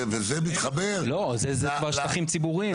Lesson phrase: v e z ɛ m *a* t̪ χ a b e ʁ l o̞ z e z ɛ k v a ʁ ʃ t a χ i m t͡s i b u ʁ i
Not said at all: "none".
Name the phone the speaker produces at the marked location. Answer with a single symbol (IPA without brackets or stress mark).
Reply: i